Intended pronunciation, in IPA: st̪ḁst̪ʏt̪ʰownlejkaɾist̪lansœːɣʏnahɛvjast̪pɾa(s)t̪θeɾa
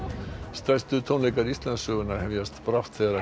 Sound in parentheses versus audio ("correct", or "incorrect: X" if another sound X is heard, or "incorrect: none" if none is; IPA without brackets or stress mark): incorrect: f